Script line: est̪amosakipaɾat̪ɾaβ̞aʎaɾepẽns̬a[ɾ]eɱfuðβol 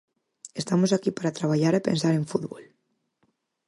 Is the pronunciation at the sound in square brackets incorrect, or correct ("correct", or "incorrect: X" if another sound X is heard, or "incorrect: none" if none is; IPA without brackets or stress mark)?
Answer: correct